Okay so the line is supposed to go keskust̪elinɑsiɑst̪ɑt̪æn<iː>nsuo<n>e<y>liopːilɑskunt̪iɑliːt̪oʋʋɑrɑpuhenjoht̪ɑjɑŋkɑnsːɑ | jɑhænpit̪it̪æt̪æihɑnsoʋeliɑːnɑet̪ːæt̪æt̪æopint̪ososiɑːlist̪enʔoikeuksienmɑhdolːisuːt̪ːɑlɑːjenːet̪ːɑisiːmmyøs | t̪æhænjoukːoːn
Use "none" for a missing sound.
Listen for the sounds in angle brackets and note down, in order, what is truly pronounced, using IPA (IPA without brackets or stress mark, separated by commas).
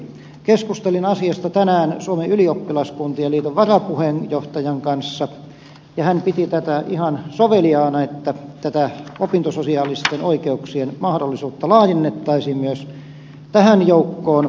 æː, m, y